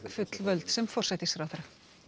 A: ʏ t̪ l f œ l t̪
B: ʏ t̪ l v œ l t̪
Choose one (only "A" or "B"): B